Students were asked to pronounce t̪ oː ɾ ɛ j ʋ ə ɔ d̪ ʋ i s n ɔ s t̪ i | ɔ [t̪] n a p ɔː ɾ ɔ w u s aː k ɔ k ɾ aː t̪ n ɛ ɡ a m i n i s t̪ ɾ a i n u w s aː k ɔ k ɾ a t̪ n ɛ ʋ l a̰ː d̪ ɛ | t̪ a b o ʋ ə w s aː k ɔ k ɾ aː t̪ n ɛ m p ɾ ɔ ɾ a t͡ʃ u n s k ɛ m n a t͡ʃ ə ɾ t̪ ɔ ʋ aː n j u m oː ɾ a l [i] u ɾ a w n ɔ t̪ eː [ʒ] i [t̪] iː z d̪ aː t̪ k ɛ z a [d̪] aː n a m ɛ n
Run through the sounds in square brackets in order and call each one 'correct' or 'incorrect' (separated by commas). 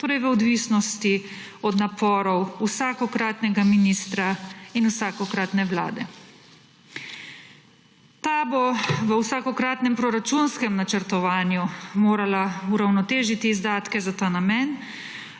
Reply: incorrect, incorrect, correct, correct, incorrect